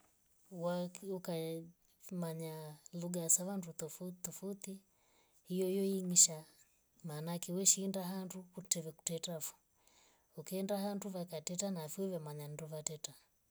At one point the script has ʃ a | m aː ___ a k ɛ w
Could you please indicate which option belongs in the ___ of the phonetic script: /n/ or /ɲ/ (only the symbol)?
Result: n